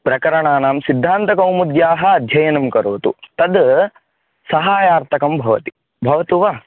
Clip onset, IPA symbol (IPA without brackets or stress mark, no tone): p